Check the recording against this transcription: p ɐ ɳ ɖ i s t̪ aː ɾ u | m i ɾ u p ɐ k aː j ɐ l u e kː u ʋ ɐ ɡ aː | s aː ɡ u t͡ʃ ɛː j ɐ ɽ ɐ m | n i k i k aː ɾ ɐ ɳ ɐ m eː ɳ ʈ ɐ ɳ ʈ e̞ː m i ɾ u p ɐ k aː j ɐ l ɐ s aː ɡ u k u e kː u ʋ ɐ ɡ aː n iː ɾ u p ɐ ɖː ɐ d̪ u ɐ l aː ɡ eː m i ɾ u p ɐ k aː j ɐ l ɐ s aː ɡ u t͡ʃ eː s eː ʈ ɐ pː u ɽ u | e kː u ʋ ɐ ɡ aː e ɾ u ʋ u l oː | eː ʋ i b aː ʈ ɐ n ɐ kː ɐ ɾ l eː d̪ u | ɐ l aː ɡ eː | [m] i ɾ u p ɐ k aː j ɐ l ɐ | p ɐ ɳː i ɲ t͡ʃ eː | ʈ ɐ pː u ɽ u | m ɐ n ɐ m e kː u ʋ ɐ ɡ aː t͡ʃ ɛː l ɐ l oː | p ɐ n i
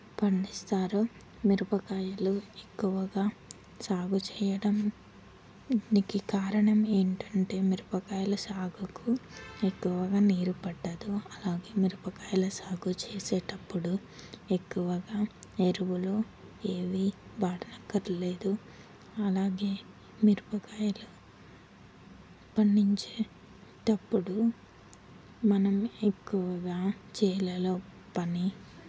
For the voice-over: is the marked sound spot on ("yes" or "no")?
yes